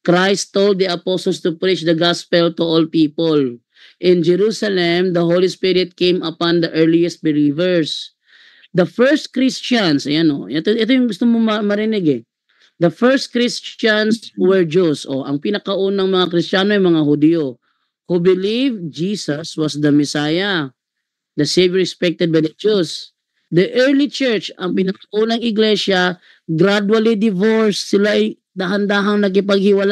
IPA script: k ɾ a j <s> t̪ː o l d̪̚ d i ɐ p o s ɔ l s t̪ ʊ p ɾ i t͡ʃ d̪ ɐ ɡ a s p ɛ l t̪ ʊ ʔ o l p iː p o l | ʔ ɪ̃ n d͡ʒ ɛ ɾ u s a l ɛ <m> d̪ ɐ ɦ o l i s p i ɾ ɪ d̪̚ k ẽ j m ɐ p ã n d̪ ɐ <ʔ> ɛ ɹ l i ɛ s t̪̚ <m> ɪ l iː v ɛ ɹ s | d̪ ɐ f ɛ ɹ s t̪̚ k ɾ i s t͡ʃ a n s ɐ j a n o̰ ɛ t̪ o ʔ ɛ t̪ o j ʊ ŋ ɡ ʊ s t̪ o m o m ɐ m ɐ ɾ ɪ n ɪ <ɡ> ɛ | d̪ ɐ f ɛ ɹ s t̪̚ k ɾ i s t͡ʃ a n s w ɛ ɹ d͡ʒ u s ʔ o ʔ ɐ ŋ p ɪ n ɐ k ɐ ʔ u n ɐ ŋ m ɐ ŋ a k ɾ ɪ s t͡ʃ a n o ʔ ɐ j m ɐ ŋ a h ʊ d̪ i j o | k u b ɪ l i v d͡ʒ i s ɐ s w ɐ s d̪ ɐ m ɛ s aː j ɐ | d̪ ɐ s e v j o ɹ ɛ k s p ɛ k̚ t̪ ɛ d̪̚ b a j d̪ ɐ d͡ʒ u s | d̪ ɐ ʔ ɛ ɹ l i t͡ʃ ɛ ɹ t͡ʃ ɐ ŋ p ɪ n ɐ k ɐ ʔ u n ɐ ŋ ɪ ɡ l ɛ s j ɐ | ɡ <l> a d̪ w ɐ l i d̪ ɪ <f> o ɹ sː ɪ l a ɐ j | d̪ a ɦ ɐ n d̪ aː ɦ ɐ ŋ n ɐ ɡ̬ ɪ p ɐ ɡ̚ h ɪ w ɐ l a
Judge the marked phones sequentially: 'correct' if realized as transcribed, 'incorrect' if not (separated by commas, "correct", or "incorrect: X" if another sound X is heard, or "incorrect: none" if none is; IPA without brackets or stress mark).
correct, correct, correct, incorrect: b, correct, incorrect: ɾ, incorrect: v